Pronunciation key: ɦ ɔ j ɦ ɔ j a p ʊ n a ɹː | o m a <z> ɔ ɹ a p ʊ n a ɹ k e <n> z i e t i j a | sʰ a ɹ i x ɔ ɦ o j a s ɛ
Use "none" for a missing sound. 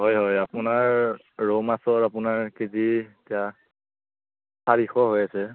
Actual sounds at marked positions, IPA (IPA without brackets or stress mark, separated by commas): s, none